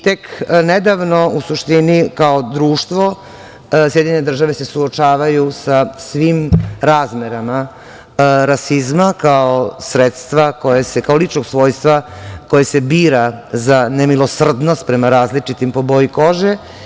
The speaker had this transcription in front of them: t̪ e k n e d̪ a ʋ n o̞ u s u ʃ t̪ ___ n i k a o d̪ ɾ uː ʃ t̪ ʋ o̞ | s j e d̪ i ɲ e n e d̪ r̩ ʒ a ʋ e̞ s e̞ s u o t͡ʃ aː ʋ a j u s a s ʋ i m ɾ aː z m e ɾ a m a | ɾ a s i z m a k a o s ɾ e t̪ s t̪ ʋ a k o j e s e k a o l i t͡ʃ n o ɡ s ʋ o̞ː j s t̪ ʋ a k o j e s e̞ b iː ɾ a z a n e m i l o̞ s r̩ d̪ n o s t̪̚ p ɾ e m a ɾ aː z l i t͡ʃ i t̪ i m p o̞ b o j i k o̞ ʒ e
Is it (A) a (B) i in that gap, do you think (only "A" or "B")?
B